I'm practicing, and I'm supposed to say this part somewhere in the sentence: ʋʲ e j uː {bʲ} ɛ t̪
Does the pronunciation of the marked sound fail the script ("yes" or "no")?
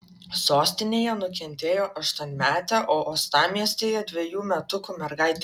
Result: yes